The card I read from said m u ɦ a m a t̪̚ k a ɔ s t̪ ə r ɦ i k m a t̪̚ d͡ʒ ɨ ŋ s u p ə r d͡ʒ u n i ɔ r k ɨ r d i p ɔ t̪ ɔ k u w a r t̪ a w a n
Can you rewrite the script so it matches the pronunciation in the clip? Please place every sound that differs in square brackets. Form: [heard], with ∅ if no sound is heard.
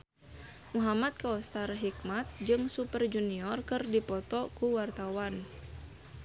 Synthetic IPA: m u ɦ a m a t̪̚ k a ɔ s t̪ [a] r ɦ i k m a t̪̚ d͡ʒ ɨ ŋ s u p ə r d͡ʒ u n i ɔ r k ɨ r d i p ɔ t̪ ɔ k u w a r t̪ a w a n

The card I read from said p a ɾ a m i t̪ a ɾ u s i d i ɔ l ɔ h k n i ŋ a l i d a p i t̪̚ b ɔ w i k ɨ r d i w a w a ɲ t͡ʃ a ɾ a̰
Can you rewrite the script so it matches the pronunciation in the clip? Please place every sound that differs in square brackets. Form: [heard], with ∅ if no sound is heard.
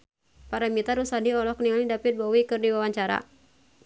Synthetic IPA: p a ɾ a m i t̪ a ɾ u s [a] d i ɔ l ɔ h k n i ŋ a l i d a p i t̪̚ b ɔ w i k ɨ r d i w a w a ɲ t͡ʃ a ɾ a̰

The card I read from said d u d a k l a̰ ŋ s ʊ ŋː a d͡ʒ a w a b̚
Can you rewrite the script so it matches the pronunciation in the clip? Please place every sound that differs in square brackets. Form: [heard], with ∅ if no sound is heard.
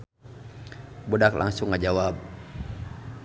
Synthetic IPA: [b] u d a k l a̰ ŋ s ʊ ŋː a d͡ʒ a w a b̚

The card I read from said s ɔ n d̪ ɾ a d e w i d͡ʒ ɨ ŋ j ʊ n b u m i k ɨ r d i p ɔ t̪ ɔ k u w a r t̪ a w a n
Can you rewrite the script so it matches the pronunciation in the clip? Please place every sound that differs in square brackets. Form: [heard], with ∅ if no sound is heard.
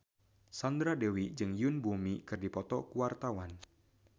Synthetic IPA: s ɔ n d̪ ɾ a d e w i d͡ʒ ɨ ŋ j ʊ n b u m i k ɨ r d i p ɔ t̪ ɔ k u w a r t̪ a w a n

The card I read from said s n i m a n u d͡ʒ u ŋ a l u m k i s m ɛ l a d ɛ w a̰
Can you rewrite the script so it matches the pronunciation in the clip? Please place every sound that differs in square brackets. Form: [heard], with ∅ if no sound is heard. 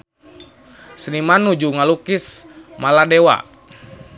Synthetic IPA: s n i m a n u d͡ʒ u ŋ a l u [∅] k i s m [a] l a d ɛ w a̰

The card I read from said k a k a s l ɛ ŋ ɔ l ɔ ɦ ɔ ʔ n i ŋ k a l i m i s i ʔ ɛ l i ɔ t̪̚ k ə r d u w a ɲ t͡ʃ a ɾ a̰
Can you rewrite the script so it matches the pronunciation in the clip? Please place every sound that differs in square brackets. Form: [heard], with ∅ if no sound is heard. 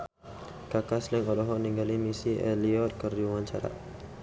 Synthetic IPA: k a k a s l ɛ ŋ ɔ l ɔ ɦ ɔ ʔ n i ŋ [ɡ] a l i m i s i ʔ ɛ l i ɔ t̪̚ k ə r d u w a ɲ t͡ʃ a ɾ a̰

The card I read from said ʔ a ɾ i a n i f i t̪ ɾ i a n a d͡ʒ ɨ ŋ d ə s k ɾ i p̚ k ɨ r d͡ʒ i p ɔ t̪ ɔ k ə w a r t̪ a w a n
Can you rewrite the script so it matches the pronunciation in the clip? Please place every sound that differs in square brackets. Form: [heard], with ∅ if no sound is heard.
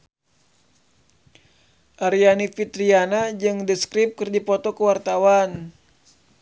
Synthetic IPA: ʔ a ɾ i a n i f i t̪ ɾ i a n a d͡ʒ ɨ ŋ d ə s k ɾ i p̚ k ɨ r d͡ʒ i p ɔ t̪ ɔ k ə w a r t̪ a w a n

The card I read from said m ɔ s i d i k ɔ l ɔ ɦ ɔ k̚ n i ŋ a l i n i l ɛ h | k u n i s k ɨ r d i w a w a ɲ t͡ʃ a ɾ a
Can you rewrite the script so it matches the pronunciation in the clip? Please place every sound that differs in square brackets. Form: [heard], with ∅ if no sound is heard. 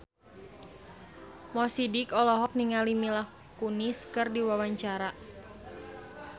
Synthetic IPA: m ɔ s i d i k ɔ l ɔ ɦ ɔ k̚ n i ŋ a l i [m] i l [a] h | k u n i s k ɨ r d i w a w a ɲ t͡ʃ a ɾ a

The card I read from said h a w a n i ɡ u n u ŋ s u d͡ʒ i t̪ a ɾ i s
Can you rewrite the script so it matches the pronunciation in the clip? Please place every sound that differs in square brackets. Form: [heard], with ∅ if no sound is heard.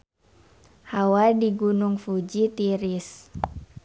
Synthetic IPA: h a w a [d] i ɡ u n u ŋ [f] u d͡ʒ i t̪ [i] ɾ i s

